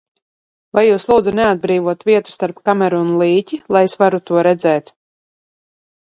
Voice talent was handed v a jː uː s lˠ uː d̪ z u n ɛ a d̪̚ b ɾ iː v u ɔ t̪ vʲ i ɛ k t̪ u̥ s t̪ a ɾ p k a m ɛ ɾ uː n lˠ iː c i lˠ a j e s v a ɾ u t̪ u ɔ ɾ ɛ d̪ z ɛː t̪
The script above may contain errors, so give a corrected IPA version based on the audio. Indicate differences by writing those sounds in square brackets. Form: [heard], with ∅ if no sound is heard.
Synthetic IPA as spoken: v a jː uː s lˠ uː d̪ z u n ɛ a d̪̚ b ɾ iː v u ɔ t̪ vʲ i ɛ [∅] t̪ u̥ s t̪ a ɾ p k a m ɛ ɾ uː n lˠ iː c i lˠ a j e s v a ɾ u t̪ u ɔ ɾ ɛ d̪ z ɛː t̪